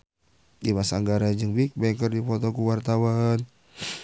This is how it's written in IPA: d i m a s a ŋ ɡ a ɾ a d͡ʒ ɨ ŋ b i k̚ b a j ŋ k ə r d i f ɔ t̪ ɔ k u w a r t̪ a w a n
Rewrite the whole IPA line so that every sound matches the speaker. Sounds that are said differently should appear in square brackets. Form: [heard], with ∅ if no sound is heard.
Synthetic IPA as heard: d i m a s a ŋ ɡ a ɾ a d͡ʒ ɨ ŋ b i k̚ b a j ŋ k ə r d i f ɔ t̪ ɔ k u w a r t̪ a w a n